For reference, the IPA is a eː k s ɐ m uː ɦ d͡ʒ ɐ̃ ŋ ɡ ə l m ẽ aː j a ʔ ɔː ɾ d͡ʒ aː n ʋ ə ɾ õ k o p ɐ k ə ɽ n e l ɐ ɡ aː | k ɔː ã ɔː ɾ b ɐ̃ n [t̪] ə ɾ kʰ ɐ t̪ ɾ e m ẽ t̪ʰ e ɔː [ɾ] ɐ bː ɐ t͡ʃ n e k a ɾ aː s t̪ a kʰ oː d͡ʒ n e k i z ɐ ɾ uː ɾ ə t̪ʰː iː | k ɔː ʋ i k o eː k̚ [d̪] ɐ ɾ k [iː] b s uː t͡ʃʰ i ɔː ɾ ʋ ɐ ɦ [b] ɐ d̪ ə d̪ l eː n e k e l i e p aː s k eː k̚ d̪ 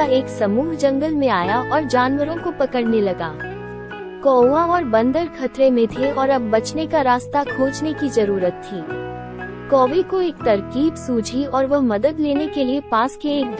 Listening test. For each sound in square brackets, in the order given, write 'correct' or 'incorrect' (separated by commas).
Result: incorrect, correct, incorrect, correct, incorrect